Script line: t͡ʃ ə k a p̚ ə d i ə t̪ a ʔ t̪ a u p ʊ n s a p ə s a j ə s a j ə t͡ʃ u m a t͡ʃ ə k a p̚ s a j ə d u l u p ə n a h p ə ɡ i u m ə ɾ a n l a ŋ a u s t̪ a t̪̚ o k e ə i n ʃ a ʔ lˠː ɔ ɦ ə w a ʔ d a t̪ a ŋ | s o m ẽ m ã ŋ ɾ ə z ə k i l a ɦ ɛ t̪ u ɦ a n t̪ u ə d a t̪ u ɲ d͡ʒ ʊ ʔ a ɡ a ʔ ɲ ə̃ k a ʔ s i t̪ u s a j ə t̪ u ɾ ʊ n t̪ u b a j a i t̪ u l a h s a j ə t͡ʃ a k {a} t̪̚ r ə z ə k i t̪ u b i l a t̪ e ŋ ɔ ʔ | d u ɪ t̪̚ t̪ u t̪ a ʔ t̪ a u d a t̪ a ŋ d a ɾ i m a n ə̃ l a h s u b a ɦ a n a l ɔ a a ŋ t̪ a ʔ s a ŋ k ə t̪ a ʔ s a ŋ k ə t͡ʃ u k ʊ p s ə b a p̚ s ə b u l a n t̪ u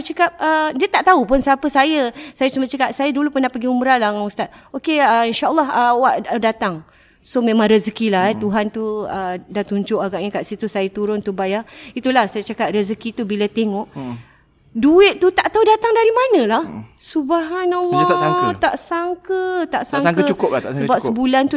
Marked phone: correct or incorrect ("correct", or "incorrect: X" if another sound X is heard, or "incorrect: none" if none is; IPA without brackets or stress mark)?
correct